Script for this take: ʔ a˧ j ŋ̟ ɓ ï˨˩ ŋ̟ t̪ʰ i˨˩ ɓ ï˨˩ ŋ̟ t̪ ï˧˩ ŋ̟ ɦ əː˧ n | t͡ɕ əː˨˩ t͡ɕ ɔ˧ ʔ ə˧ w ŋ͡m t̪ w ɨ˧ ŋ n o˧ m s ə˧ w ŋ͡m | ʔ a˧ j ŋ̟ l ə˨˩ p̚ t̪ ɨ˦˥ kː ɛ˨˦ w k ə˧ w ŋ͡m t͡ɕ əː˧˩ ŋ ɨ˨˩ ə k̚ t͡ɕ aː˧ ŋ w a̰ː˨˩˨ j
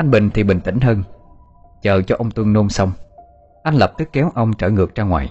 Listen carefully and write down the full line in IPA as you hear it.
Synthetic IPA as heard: ʔ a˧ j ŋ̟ ɓ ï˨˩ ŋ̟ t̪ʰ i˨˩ ɓ ï˨˩ ŋ̟ t̪ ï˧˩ ŋ̟ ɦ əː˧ n | t͡ɕ əː˨˩ t͡ɕ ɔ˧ ʔ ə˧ w ŋ͡m t̪ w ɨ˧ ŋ n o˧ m s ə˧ w ŋ͡m | ʔ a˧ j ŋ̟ l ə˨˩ p̚ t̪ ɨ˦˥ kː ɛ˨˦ w ʔ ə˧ w ŋ͡m t͡ɕ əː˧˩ ŋ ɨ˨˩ ə k̚ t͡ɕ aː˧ ŋ w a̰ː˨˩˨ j